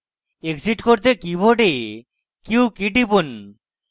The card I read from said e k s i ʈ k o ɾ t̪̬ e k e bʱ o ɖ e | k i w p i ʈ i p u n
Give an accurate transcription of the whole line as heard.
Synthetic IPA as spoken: e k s i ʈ k o ɾ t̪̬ e k i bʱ o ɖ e | k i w k i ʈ i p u n